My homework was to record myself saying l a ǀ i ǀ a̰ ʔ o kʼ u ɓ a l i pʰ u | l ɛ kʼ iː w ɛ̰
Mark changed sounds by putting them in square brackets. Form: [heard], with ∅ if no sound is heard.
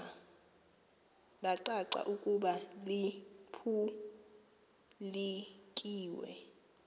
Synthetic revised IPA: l a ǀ [a] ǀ a̰ ʔ [u] kʼ u ɓ a l i pʰ u | l [i] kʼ iː w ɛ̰